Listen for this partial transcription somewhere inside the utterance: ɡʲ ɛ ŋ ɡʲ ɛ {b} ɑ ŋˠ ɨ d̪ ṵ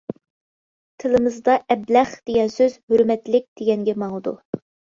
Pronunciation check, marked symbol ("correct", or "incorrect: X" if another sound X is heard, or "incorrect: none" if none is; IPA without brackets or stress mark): incorrect: m